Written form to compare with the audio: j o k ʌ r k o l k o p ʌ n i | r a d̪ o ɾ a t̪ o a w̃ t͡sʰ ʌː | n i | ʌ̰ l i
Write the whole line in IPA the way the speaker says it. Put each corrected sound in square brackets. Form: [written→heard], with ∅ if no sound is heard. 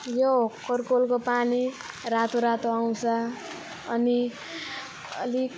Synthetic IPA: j o k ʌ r k o l k o p [ʌ→a] n i | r a [d̪→t̪] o ɾ a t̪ o a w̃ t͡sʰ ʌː | n i | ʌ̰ l i